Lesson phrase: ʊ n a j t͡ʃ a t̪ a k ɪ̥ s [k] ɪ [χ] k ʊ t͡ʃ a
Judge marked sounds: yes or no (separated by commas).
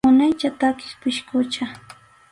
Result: no, no